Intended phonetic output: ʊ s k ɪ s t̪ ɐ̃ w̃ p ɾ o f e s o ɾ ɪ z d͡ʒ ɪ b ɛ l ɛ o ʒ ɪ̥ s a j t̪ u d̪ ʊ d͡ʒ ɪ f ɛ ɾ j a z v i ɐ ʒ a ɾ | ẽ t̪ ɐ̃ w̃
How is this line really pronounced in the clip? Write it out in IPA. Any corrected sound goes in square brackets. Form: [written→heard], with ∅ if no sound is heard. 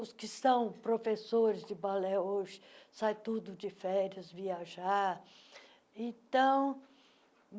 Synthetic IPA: ʊ s k ɪ s t̪ ɐ̃ w̃ p ɾ o f e s o ɾ ɪ z d͡ʒ ɪ b [ɛ→a] l ɛ o ʒ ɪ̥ s a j t̪ u d̪ ʊ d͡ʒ ɪ f ɛ ɾ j [a→ɐ] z v i [ɐ→a] ʒ a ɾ | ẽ t̪ ɐ̃ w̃